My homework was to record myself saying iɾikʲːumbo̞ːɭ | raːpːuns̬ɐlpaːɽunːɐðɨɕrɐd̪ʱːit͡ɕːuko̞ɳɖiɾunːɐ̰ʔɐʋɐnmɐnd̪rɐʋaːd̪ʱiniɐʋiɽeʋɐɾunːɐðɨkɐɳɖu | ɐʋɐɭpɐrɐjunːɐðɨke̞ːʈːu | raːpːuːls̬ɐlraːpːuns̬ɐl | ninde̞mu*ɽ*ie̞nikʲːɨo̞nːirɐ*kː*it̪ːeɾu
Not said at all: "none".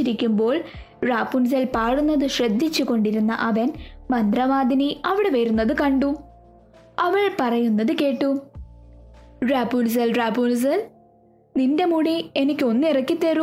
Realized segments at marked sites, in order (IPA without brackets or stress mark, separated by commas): ɽ, kː